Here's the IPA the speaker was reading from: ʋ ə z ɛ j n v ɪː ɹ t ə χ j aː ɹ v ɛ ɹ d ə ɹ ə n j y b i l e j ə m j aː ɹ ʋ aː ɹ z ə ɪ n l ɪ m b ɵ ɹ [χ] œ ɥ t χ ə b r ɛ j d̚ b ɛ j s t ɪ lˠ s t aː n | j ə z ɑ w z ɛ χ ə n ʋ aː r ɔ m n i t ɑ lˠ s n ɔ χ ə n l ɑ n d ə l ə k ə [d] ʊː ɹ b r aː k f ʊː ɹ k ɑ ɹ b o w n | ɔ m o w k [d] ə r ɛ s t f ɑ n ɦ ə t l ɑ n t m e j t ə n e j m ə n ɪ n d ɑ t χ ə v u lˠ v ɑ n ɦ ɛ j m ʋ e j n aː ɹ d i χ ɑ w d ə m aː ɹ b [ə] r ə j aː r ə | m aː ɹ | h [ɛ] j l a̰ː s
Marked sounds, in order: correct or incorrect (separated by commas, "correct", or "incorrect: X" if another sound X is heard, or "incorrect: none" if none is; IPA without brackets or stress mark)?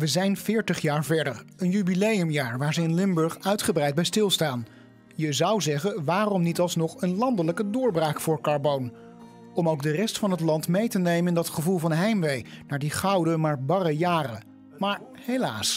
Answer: correct, correct, correct, incorrect: ɑ, incorrect: e